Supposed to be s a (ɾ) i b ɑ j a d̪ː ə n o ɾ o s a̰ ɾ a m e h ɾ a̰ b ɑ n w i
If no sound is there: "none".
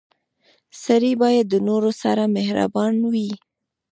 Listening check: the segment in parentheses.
ɾ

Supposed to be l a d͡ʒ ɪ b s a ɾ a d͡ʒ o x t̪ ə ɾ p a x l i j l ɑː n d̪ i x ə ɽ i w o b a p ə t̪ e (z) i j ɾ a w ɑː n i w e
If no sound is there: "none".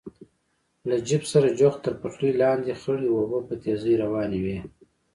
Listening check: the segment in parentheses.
z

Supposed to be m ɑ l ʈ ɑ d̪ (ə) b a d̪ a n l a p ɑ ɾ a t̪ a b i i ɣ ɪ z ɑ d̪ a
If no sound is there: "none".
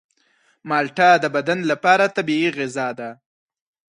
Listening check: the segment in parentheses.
ə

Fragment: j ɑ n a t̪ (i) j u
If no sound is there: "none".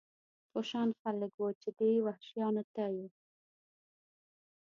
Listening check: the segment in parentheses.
a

